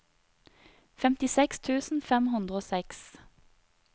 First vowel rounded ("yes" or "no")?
no